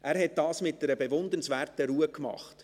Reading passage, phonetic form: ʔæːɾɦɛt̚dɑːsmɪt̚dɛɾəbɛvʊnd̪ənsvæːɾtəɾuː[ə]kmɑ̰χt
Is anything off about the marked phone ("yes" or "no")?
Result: no